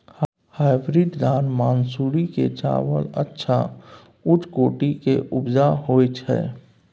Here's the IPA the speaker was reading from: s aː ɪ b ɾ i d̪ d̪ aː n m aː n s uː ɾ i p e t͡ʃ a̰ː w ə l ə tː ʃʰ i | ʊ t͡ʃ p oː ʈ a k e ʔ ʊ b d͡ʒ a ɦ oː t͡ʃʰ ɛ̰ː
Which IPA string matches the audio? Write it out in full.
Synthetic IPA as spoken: h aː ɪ b ɾ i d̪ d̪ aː n m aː n s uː ɾ i k e t͡ʃ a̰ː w ə l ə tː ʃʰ a | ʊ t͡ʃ k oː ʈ i k e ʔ ʊ b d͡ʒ a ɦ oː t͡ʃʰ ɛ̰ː

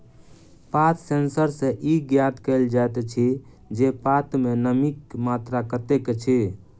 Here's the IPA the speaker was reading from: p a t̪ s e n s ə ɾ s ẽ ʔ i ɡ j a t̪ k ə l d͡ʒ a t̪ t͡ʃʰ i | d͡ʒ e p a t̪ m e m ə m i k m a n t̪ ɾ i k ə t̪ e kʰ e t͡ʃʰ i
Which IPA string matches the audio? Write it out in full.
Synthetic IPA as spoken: p a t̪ s e n s ə ɾ s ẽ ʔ i ɡ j a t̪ k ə l d͡ʒ a t̪ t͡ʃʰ i | d͡ʒ e p a t̪ m e n ə m i k m a t̪ ɾ a k ə t̪ e k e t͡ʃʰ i

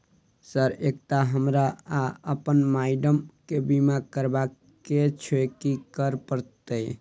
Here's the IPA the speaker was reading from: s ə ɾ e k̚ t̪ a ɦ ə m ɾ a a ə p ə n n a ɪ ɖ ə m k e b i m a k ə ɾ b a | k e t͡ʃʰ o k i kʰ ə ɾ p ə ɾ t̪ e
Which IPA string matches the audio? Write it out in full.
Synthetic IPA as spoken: s ə ɾ e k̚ t̪ a ɦ ə m ɾ a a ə p ə n m a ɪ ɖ ə m k e b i m a k ə ɾ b a | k e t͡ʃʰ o k i k ə ɾ p ə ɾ t̪ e

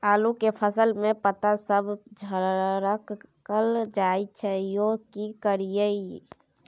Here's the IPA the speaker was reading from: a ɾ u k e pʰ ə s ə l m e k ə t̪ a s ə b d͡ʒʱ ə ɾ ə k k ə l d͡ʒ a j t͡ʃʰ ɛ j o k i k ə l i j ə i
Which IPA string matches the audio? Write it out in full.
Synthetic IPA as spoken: a l u k e pʰ ə s ə l m e p ə t̪ a s ə b d͡ʒʱ ə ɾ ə k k ə l d͡ʒ a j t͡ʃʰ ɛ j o k i k ə ɾ i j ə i

